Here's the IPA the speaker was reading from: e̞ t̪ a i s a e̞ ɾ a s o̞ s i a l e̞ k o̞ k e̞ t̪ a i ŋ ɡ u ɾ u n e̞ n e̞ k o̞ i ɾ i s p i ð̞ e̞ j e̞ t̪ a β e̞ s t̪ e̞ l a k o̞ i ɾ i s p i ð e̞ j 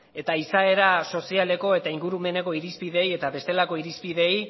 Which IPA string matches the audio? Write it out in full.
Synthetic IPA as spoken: e̞ t̪ a i s a e̞ ɾ a s o̞ s i a l e̞ k o̞ e̞ t̪ a i ŋ ɡ u ɾ u m e̞ n e̞ k o̞ i ɾ i s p i ð̞ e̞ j e̞ t̪ a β e̞ s t̪ e̞ l a k o̞ i ɾ i s p i ð e̞ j